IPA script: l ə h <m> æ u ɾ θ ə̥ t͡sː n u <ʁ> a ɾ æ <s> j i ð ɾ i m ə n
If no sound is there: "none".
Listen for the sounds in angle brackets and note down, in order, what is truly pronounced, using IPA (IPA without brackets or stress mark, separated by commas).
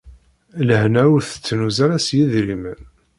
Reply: n, z, s